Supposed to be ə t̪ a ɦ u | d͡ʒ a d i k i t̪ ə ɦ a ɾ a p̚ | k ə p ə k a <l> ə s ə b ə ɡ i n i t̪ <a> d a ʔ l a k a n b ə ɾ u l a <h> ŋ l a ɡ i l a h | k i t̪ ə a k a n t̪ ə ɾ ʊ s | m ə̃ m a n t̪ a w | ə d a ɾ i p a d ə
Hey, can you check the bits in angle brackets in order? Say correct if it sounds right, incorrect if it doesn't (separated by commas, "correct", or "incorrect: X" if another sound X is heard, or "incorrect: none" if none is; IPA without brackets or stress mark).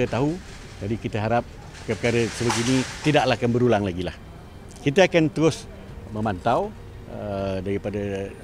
incorrect: ɾ, incorrect: i, incorrect: none